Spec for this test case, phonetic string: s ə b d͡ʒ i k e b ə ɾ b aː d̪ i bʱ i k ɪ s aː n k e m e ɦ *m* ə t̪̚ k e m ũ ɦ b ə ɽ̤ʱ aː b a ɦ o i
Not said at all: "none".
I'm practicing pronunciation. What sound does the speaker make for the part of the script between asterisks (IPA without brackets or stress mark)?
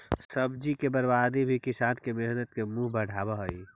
n